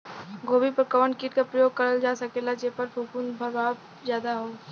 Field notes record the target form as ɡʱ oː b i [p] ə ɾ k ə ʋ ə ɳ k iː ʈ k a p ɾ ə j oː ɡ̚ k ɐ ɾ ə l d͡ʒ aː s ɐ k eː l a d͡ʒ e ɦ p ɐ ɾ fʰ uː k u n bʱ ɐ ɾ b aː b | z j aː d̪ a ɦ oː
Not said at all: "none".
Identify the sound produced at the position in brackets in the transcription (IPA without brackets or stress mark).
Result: p